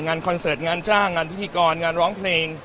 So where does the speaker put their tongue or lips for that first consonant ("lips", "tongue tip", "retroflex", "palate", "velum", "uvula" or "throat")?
velum